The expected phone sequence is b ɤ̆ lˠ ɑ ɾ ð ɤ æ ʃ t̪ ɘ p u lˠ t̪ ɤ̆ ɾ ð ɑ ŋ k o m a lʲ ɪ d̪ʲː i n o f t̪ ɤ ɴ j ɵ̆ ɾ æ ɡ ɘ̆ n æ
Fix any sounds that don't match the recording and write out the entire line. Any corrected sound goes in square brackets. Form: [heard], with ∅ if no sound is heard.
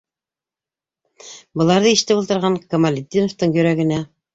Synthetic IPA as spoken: b ɤ̆ lˠ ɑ ɾ ð ɤ [i] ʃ t̪ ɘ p u lˠ t̪ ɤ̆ ɾ [ʁ] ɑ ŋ k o m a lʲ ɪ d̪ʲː i n o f t̪ ɤ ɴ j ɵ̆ ɾ æ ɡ ɘ̆ n æ